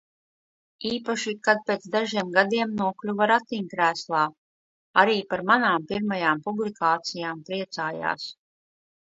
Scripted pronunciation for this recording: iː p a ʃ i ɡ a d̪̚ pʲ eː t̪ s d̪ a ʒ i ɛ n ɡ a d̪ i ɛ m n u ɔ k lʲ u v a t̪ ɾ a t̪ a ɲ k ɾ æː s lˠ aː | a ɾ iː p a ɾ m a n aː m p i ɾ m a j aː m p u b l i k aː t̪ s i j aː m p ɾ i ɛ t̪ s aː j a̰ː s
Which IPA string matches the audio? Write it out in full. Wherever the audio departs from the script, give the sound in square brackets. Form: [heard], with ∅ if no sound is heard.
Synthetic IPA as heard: iː p a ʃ i [k] a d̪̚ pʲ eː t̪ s d̪ a ʒ i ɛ [m] ɡ a d̪ i ɛ m n u ɔ k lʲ u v a [∅] ɾ a t̪ [i] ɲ k ɾ æː s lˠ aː | a ɾ iː p a ɾ m a n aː m p i ɾ m a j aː m p u b l i k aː t̪ s i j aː m p ɾ i ɛ t̪ s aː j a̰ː s